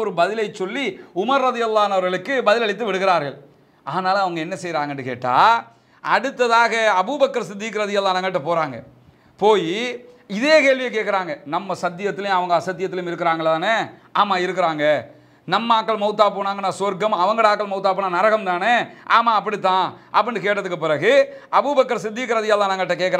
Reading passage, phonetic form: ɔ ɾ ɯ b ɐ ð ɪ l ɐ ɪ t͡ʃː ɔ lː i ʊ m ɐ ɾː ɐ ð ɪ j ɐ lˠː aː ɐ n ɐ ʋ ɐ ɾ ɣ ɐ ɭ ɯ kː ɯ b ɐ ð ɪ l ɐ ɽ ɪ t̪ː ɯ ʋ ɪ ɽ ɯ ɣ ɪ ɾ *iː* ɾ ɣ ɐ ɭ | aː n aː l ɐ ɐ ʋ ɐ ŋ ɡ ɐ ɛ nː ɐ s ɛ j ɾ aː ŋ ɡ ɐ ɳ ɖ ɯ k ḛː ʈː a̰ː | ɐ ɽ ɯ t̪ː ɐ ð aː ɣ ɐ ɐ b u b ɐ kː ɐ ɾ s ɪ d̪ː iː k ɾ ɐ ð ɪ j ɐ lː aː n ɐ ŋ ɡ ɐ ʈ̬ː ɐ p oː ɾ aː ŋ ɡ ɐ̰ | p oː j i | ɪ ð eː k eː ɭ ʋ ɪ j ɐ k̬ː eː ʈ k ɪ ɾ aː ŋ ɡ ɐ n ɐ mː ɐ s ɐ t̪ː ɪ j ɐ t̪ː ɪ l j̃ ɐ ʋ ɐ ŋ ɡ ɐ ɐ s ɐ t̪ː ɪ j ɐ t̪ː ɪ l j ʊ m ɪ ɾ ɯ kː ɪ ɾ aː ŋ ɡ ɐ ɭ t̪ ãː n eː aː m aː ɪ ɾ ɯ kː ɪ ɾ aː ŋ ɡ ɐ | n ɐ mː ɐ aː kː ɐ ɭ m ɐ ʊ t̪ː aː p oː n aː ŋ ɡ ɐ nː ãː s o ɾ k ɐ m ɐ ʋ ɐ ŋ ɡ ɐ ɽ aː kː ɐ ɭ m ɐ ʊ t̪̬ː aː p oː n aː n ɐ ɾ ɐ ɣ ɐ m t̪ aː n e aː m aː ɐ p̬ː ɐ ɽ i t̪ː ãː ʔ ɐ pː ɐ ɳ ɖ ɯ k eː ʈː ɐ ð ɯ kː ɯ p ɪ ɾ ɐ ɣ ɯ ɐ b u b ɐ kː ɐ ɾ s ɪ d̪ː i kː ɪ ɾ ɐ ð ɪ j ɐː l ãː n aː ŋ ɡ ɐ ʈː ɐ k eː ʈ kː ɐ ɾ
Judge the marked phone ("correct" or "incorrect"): incorrect